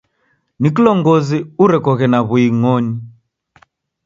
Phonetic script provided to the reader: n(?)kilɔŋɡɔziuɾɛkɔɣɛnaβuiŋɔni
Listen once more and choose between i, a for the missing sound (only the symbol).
i